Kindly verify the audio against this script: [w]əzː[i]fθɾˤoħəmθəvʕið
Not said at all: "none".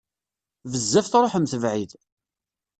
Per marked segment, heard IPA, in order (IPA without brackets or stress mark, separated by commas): v, æ